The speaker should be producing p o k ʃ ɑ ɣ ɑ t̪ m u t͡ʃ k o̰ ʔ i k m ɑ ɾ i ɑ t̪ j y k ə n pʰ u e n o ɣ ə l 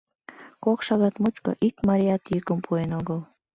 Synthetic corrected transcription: k o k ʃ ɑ ɣ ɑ t̪ m u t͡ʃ k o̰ ʔ i k m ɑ ɾ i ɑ t̪ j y k ə m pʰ u e n o ɣ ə l